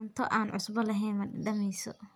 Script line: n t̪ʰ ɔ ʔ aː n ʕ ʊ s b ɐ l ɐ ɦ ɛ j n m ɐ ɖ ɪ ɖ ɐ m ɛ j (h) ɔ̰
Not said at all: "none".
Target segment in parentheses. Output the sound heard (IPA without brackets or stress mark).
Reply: s